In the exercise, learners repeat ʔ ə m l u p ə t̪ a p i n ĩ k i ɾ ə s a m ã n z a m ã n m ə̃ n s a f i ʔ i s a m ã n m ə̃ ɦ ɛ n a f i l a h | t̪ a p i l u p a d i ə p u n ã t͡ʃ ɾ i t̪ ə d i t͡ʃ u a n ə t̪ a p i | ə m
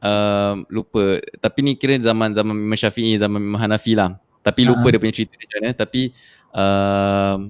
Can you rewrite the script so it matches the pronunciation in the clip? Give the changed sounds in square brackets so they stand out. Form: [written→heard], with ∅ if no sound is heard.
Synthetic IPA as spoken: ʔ ə m l u p ə t̪ a p i n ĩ k i ɾ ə [s→z] a m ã n z a m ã n m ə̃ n [s→ʃ] a f i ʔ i [s→z] a m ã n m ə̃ ɦ [ɛ→a] n a f i l a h | t̪ a p i l u p [a→ə] d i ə p u [n→ɲ] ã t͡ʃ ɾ i t̪ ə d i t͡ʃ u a n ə t̪ a p i | ə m